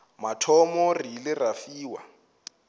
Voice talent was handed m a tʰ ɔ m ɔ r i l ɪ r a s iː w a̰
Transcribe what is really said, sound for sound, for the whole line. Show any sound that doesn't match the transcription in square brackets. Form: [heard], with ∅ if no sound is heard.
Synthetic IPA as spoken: m a tʰ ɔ m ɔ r i l ɪ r a [f] iː w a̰